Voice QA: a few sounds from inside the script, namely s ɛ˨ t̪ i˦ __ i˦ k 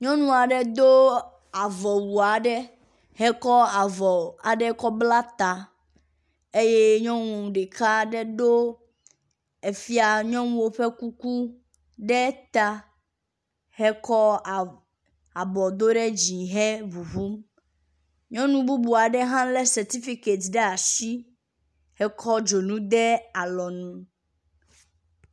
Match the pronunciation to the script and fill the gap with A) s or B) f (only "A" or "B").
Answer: B